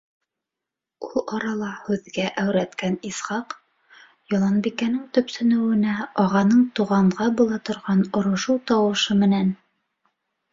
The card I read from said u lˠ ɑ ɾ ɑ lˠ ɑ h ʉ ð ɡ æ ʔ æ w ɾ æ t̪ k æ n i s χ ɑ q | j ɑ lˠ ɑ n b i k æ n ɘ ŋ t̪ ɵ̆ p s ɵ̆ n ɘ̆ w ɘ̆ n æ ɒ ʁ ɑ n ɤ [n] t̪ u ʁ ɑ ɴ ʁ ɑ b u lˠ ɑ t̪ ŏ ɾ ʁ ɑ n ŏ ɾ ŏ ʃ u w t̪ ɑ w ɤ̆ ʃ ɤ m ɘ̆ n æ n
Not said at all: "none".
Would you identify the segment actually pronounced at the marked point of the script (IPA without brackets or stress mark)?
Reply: ɴ